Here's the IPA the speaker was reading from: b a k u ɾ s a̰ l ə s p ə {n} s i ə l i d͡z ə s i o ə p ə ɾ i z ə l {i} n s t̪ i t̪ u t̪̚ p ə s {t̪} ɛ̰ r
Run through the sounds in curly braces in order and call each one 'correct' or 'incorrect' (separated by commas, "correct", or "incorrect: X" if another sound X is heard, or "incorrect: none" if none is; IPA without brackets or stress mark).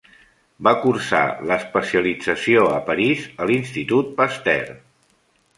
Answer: incorrect: none, correct, correct